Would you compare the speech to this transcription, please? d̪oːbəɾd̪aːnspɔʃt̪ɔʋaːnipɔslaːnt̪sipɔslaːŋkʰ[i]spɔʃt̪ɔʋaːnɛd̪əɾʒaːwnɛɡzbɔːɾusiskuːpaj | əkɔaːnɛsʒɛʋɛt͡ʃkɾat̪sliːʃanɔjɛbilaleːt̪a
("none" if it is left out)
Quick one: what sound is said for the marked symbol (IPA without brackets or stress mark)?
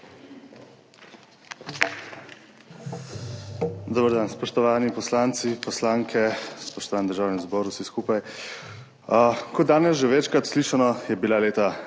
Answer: ɛ